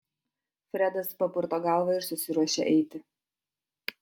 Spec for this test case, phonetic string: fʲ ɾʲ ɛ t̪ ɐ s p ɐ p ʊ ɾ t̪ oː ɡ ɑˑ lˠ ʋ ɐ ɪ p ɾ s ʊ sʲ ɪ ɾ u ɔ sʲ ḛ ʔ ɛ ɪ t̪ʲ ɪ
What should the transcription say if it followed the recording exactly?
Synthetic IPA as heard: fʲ ɾʲ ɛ d̪ ɐ s p ɐ p ʊ ɾ t̪ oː ɡ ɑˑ lˠ ʋ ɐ ɪ ɾ s ʊ sʲ ɪ ɾ u ɔ ʃʲ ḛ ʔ ɛ ɪ t̪ʲ ɪ